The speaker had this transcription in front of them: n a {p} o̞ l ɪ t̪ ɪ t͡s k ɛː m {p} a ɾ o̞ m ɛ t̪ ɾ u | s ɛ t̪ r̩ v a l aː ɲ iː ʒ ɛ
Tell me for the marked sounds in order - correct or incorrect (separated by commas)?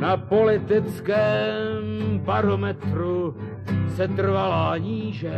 correct, incorrect